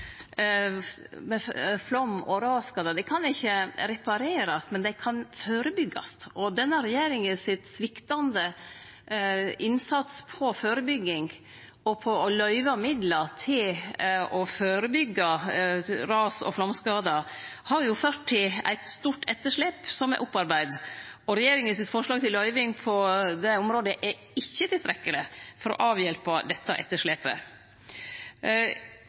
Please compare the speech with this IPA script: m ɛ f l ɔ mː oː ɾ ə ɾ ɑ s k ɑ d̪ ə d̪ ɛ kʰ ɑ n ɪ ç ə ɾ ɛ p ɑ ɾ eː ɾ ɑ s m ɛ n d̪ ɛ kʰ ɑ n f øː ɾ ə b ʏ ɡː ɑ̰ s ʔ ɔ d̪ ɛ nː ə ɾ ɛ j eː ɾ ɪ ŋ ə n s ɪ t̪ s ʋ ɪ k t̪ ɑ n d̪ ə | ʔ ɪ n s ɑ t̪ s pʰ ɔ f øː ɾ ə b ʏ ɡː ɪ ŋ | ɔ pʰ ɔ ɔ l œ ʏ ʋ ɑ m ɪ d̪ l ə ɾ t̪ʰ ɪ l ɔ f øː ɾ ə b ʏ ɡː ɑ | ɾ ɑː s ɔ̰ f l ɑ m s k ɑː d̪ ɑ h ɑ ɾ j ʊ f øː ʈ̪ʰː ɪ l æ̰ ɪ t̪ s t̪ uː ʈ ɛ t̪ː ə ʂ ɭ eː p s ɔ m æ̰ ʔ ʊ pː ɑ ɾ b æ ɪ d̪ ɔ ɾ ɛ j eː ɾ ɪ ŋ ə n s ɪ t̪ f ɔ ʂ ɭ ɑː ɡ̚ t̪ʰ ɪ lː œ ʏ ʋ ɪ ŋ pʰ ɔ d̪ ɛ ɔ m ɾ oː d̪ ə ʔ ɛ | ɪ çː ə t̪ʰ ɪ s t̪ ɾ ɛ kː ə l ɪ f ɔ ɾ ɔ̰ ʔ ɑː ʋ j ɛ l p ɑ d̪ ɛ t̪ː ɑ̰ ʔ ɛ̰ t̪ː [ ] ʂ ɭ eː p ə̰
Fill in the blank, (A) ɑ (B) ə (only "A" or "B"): B